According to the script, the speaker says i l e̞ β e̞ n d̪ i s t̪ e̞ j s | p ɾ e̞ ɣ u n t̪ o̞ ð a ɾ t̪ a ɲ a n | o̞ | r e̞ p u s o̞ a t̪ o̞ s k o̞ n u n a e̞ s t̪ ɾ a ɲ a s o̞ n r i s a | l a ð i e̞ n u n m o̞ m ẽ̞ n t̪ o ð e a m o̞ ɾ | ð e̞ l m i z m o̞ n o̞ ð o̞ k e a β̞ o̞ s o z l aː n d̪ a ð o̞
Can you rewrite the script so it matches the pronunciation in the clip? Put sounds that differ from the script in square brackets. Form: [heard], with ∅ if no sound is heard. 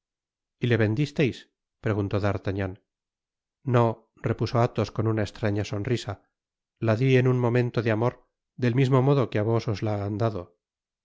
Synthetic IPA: i l e̞ β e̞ n d̪ i s t̪ e̞ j s | p ɾ e̞ ɣ u n t̪ o̞ ð a ɾ t̪ a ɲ a n | o̞ | r e̞ p u s o̞ a t̪ o̞ s k o̞ n u n a e̞ s t̪ ɾ a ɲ a s o̞ n r i s a | l a ð i e̞ n u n m o̞ m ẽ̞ n t̪ o ð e a m o̞ ɾ | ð e̞ l m i z m o̞ [m] o̞ ð o̞ k e a β̞ o̞ s o z l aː n d̪ a ð o̞